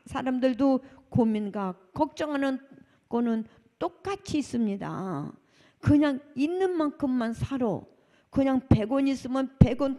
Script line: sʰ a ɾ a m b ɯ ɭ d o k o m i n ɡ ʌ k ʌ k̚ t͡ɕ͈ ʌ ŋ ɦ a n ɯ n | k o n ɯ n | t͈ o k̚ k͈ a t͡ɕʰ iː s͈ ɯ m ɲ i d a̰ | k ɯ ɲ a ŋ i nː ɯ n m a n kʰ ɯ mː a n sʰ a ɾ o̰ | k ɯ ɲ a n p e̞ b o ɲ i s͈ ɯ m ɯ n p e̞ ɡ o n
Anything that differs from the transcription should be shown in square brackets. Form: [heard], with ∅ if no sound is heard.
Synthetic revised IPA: sʰ a ɾ a m [d] ɯ ɭ d o k o m i n ɡ [a] k ʌ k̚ t͡ɕ͈ ʌ ŋ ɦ a n ɯ n | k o n ɯ n | t͈ o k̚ k͈ a t͡ɕʰ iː s͈ ɯ m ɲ i d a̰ | k ɯ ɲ a ŋ i nː ɯ n m a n kʰ ɯ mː a n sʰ a ɾ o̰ | k ɯ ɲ a [ŋ] p e̞ [ɡ] o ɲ i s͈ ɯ m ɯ n p e̞ ɡ o n